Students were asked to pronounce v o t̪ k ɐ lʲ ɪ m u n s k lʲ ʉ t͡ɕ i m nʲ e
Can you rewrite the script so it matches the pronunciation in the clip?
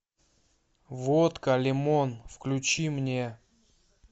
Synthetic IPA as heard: v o t̪ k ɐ lʲ ɪ m o n f k lʲ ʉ t͡ɕ i m nʲ e